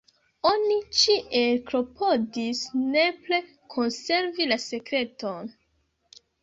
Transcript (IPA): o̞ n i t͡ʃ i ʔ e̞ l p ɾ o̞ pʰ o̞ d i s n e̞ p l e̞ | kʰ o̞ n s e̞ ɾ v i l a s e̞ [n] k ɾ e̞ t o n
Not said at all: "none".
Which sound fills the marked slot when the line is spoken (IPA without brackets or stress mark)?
none